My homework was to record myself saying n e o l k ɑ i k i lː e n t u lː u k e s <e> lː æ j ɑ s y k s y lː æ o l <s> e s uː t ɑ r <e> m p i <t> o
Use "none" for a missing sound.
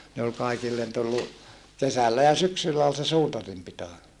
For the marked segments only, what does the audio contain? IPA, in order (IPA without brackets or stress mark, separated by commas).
æ, s, i, t